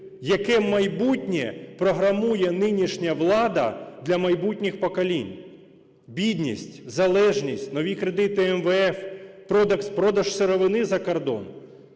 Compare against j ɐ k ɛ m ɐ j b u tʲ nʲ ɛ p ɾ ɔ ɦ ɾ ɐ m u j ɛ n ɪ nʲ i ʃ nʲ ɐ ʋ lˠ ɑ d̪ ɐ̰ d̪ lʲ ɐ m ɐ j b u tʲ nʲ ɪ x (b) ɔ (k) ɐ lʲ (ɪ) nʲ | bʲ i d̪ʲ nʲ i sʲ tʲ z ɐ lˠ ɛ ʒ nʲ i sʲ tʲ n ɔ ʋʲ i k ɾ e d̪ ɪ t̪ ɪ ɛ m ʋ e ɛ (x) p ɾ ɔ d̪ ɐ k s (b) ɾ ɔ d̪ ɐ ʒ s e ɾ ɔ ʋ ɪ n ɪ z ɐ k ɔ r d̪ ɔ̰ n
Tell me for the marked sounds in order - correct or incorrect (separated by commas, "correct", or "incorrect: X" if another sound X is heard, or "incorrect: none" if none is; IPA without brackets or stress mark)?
incorrect: p, correct, incorrect: i, incorrect: f, incorrect: p